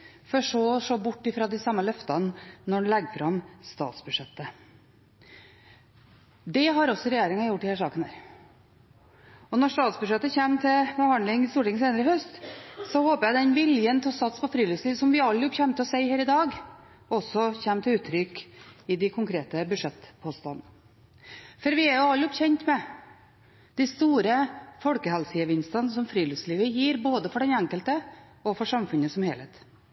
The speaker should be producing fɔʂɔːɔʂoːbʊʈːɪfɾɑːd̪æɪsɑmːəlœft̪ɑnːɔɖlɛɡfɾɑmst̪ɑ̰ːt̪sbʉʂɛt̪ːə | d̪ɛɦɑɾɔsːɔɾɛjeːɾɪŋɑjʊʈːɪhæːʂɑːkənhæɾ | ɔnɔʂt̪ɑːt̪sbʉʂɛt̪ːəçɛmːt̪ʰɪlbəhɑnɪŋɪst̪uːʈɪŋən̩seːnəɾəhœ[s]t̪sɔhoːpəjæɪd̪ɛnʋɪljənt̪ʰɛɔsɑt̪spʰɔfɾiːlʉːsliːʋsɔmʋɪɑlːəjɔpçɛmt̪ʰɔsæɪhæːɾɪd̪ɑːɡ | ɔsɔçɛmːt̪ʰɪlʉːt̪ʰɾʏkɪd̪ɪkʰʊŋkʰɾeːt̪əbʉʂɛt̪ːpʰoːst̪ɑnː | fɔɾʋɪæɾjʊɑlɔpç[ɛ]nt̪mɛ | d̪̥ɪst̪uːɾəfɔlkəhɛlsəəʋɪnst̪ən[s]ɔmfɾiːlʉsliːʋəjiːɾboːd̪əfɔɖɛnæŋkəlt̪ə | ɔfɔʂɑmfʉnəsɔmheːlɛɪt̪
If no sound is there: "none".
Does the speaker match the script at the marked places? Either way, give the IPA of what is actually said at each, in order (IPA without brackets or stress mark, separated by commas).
s, ɛ, s